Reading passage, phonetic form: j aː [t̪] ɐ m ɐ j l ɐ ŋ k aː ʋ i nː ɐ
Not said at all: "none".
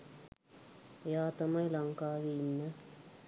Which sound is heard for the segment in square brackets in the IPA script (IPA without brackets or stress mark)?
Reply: t̪